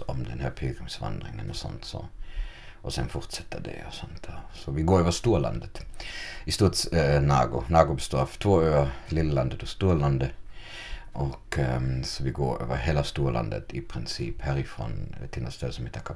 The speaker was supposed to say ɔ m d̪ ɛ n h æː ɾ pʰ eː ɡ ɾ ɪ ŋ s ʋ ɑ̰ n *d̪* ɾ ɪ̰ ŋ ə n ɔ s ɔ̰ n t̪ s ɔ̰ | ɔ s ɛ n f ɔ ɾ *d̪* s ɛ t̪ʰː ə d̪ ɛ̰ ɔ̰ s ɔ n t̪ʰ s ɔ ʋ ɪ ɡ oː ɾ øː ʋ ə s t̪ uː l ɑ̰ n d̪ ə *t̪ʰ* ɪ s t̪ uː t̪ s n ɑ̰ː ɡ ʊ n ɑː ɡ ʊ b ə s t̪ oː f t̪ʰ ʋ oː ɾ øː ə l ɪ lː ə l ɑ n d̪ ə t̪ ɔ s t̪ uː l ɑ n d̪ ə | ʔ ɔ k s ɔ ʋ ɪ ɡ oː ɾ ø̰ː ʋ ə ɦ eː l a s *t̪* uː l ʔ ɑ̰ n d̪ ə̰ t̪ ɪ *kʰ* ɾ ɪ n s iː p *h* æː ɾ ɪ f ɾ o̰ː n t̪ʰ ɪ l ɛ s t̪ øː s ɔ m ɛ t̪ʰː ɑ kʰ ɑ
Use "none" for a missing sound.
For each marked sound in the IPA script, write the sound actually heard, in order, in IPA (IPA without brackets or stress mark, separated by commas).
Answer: d̪, t̪, t̪, t̪, pʰ, h